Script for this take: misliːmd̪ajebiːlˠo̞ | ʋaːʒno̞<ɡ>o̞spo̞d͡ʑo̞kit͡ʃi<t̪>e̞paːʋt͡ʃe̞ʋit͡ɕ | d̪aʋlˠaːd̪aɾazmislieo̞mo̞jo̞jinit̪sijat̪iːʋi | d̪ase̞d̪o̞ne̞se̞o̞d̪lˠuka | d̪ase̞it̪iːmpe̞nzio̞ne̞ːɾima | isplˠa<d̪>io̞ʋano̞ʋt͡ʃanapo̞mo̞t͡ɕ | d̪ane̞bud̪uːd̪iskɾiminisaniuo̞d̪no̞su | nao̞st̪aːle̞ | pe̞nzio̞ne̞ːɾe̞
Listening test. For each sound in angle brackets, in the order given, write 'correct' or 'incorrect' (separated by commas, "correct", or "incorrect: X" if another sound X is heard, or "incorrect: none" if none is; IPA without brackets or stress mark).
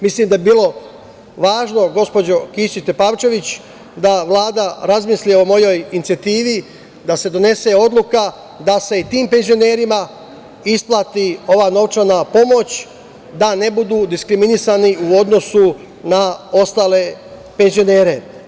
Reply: correct, correct, incorrect: t̪